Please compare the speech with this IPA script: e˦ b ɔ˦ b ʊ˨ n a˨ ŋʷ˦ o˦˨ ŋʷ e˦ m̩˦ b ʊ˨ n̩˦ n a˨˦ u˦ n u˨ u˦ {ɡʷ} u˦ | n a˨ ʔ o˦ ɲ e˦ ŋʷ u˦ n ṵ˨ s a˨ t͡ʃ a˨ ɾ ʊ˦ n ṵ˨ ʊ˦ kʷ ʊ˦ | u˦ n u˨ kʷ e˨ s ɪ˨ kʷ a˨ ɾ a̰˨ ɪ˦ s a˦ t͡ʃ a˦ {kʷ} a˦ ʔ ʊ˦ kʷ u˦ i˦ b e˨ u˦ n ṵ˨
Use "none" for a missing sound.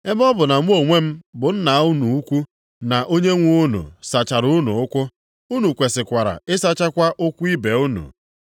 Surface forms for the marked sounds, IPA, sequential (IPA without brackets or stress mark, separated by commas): kʷ, kʷ